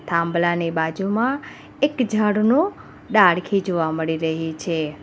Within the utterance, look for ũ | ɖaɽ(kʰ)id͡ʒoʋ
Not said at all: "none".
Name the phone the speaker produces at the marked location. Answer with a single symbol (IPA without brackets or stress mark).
kʰ